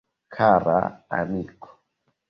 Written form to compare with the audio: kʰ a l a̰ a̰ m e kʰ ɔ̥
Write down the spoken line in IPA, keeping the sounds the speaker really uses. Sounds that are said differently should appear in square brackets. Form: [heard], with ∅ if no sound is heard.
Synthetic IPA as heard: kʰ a [ɾ] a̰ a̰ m [i] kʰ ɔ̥